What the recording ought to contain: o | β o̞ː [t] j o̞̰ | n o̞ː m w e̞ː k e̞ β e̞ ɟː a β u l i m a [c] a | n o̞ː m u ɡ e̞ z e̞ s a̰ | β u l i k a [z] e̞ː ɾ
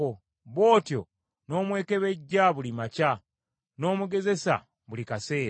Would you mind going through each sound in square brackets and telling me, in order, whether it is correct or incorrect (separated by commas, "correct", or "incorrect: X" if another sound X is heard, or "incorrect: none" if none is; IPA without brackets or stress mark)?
correct, correct, incorrect: s